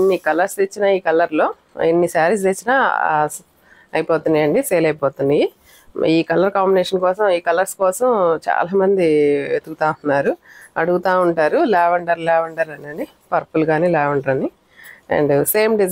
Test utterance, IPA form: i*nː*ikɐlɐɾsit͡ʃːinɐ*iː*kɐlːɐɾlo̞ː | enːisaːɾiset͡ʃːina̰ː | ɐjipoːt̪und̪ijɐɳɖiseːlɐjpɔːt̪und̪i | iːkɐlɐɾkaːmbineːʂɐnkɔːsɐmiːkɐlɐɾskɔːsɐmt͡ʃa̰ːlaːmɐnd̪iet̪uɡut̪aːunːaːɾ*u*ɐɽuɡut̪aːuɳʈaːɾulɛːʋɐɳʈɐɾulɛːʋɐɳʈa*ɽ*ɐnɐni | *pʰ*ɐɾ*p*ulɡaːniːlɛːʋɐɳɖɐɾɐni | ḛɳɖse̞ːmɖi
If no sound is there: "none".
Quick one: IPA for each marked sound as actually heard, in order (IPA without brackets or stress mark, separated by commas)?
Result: nː, iː, u, ɾ, p, p